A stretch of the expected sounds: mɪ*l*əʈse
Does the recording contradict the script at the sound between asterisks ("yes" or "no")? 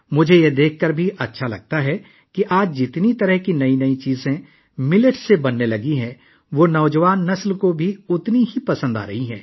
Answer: no